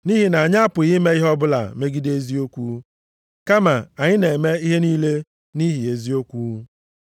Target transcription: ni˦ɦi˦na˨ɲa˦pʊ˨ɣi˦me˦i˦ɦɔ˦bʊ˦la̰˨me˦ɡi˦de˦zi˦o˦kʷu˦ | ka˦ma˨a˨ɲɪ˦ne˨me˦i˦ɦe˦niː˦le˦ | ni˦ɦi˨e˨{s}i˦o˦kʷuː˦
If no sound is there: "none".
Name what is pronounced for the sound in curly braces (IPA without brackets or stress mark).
z